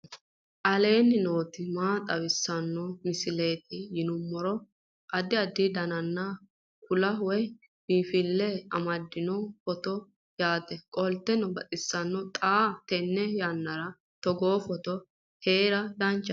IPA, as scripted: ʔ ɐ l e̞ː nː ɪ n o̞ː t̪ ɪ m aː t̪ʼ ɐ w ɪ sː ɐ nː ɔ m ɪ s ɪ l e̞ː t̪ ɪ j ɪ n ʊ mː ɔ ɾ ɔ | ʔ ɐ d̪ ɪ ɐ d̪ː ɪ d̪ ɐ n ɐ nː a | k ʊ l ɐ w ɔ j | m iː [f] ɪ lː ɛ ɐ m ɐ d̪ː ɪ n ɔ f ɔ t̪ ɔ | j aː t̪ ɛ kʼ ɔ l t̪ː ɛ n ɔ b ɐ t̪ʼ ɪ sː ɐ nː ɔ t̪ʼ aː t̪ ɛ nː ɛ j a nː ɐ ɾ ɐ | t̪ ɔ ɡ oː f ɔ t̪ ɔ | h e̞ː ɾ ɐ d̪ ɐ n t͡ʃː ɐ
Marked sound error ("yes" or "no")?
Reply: no